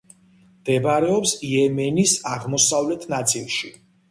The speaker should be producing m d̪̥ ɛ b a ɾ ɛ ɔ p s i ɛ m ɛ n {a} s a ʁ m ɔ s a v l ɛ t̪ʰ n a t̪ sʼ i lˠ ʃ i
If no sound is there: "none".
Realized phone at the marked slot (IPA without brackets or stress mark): i